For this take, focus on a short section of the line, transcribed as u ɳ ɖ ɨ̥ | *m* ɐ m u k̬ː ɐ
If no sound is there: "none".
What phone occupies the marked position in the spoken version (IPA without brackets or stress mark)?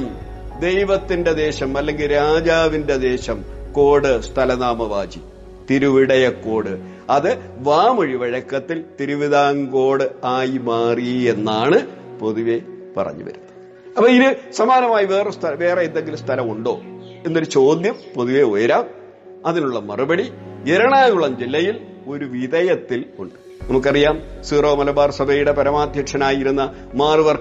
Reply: n